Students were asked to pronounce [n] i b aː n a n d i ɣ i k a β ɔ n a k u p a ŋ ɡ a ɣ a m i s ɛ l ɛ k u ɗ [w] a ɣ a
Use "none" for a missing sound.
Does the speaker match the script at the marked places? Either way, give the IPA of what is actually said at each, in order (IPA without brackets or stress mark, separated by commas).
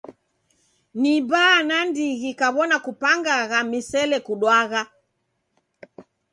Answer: n, w